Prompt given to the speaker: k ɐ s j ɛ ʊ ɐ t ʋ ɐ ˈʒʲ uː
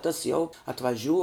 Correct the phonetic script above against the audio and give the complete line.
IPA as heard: t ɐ s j ɛ ʊ ɐ t ʋ ɐ ˈʒʲ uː